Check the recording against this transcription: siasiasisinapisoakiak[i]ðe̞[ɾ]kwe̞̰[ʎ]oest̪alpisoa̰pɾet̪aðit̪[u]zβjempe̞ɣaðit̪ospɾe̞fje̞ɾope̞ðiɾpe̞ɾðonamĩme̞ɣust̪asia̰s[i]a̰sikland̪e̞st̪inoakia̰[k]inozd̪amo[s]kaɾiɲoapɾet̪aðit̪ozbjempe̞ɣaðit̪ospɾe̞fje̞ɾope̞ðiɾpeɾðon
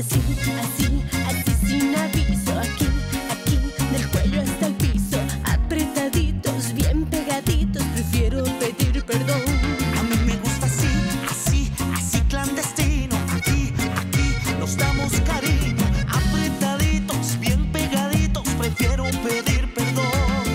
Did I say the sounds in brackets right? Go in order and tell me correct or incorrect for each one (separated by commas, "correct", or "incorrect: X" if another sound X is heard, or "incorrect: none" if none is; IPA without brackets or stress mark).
correct, incorrect: l, correct, incorrect: o, correct, correct, correct